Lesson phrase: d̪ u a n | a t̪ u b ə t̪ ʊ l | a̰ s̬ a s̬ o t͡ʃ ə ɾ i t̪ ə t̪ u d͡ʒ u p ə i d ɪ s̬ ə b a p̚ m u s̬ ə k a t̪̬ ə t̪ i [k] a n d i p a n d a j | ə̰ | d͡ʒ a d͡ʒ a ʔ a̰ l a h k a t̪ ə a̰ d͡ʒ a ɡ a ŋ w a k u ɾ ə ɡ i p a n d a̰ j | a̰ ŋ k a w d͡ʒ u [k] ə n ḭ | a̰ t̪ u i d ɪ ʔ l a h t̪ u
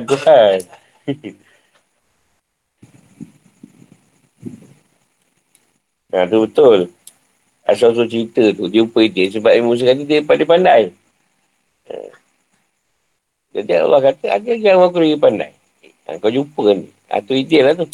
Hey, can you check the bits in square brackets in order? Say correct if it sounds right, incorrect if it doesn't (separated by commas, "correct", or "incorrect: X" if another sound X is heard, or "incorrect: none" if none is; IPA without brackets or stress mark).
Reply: incorrect: p, incorrect: p